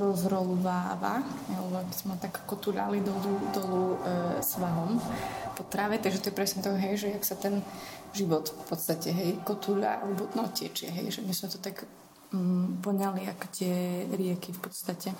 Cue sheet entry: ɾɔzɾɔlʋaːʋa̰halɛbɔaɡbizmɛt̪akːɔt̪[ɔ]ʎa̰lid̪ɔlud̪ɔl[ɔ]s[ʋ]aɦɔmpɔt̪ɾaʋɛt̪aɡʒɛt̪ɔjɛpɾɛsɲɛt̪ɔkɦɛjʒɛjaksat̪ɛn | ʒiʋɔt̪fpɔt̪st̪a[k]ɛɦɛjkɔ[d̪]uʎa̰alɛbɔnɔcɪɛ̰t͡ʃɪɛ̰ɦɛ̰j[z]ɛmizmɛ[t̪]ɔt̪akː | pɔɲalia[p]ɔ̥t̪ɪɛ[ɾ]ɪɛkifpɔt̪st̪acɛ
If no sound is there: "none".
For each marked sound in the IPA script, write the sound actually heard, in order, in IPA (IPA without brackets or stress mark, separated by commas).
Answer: u, u, ʋ, c, t̪, ʒ, t̪, k, ɾ